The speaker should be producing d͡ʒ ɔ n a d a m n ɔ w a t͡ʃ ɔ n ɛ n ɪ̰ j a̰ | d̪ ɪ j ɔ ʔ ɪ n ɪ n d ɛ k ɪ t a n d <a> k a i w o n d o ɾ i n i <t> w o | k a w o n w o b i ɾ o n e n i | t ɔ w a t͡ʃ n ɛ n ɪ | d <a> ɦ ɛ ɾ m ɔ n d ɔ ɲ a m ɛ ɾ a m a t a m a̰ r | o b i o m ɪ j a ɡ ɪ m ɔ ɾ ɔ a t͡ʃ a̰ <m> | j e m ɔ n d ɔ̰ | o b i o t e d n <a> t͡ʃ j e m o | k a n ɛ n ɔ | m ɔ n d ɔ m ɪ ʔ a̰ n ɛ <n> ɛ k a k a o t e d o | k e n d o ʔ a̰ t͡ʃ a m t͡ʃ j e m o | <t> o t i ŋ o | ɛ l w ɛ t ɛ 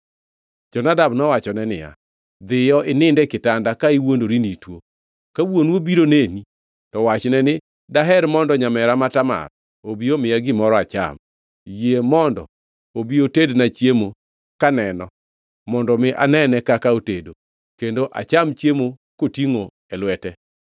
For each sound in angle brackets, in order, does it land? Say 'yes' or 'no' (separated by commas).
yes, yes, yes, yes, yes, yes, no